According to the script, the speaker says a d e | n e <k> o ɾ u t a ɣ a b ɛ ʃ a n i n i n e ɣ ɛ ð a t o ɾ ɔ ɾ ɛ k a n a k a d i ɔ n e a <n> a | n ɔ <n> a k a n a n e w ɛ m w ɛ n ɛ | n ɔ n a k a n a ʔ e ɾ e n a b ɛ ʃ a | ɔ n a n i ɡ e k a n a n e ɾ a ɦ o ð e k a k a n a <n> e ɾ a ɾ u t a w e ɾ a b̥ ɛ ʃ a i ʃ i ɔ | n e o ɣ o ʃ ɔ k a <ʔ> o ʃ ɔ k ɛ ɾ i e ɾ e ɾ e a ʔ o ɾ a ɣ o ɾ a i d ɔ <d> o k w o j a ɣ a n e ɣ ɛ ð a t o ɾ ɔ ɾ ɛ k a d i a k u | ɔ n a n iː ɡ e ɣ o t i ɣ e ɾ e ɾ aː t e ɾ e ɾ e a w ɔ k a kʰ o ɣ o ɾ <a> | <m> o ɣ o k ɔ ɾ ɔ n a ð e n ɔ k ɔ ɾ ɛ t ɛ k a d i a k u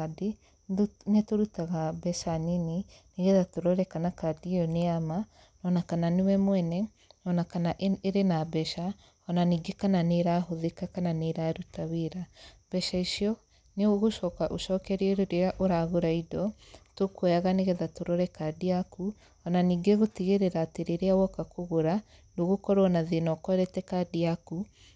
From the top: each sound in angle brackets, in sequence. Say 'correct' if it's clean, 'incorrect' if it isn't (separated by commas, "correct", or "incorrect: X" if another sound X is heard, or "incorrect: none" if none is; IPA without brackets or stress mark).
incorrect: t, incorrect: m, correct, correct, correct, incorrect: t, correct, incorrect: n